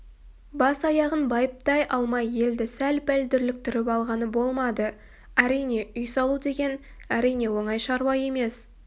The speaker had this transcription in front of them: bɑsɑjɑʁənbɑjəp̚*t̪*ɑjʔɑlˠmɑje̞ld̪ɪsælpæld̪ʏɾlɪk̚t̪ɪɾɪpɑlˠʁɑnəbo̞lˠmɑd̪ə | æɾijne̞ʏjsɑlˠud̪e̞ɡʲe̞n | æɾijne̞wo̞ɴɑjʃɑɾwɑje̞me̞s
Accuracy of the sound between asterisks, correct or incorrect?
correct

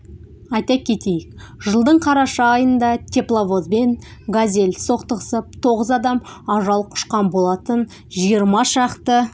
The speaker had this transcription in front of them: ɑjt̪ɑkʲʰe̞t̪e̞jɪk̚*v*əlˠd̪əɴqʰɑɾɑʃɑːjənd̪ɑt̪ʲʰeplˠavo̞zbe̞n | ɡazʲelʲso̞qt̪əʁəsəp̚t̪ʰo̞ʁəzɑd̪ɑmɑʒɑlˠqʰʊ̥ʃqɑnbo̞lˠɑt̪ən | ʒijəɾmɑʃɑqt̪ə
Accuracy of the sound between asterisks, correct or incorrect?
incorrect: ʒ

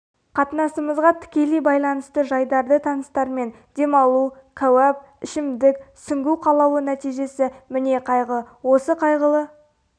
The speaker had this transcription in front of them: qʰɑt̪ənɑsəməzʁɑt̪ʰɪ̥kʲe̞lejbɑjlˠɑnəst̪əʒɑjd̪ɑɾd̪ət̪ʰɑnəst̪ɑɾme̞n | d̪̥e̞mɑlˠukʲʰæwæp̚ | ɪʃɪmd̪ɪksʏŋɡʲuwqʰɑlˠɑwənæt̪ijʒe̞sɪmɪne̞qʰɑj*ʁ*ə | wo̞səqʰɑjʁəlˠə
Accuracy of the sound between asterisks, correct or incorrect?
correct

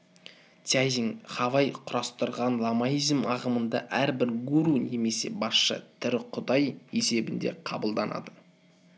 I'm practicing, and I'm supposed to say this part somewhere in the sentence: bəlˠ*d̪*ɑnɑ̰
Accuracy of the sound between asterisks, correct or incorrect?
correct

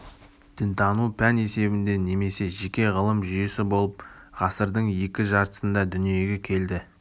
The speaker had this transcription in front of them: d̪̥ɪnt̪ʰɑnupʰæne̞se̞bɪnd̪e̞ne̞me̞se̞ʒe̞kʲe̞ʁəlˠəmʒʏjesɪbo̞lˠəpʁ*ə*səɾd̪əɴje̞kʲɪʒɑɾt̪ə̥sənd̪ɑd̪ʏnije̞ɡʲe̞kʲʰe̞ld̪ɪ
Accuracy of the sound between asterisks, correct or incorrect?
incorrect: ɑ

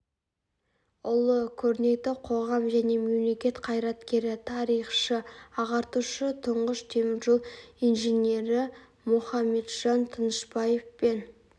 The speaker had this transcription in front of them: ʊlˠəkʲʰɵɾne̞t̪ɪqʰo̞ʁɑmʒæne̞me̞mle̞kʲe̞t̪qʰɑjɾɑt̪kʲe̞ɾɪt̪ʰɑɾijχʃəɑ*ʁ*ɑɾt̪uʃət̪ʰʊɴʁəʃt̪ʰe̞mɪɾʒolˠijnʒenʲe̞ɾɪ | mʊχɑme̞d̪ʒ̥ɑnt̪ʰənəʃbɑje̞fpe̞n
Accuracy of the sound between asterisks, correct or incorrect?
correct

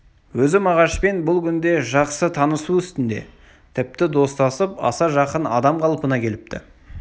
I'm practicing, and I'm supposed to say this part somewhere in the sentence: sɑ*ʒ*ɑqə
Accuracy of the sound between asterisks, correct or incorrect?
correct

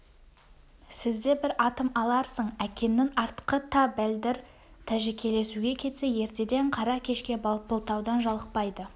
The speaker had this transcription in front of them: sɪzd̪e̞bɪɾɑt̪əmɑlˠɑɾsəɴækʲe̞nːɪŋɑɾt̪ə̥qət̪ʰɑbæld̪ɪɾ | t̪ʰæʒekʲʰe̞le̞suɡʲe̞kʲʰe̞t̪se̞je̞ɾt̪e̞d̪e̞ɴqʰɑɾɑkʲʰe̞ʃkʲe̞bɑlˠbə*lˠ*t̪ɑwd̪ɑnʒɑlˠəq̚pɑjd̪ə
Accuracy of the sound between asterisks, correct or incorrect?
correct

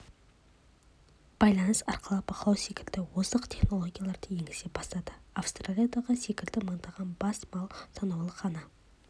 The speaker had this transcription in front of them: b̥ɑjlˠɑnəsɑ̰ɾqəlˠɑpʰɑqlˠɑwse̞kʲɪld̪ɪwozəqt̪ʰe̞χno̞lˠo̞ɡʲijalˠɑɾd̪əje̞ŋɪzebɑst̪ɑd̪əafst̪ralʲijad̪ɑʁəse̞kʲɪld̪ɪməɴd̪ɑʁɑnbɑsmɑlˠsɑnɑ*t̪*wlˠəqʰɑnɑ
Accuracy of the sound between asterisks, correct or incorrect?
incorrect: none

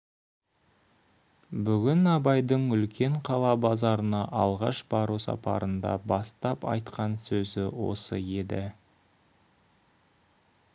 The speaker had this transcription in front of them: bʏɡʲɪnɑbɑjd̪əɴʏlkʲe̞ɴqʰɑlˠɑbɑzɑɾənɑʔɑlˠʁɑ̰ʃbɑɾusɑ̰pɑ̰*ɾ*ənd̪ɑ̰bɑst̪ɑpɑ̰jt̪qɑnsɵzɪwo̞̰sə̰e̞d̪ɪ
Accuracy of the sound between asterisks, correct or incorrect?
correct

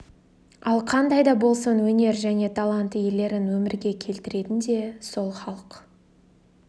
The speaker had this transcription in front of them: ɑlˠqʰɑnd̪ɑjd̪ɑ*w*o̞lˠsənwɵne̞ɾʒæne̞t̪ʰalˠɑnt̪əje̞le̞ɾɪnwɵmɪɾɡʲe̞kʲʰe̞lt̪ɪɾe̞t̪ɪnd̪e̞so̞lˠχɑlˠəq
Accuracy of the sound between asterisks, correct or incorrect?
incorrect: b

